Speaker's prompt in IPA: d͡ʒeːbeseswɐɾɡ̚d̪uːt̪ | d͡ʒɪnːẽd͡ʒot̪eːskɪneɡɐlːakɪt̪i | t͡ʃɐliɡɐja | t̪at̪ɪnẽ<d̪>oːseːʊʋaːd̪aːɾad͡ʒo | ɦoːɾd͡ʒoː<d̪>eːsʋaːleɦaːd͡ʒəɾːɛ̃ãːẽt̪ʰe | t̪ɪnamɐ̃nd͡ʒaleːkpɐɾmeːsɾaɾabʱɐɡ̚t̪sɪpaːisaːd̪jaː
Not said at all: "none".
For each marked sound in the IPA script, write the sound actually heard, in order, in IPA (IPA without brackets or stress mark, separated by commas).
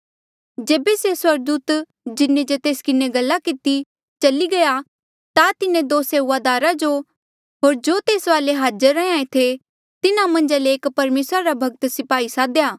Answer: d̪, t̪